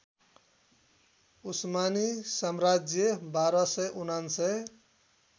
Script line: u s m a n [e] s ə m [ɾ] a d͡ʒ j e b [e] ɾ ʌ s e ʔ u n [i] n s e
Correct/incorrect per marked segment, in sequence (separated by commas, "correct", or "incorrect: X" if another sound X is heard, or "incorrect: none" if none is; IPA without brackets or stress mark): incorrect: i, correct, incorrect: a, incorrect: a